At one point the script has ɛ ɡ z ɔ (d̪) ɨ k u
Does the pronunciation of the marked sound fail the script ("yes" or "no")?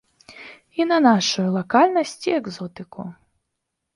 yes